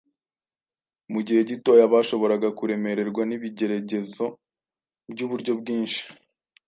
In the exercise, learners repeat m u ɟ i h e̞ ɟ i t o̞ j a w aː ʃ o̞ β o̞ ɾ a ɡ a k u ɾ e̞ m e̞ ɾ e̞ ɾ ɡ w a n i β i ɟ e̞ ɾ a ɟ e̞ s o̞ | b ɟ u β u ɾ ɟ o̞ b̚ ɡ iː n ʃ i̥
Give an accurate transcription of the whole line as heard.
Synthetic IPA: m u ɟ i h e̞ ɟ i t o̞ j a β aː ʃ o̞ β o̞ ɾ a ɡ a k u ɾ e̞ m e̞ ɾ e̞ ɾ ɡ w a n i β i ɟ e̞ ɾ a ɟ e̞ z o̞ | b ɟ u β u ɾ ɟ o̞ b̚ ɡ iː n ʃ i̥